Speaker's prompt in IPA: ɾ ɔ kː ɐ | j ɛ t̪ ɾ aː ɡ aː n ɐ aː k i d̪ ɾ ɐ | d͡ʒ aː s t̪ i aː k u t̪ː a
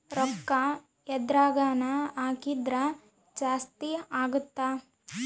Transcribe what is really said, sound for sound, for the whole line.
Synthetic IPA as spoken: ɾ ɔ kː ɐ | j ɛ d̪ ɾ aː ɡ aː n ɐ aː k i d̪ ɾ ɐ | d͡ʒ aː s t̪ i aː ɡ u t̪ː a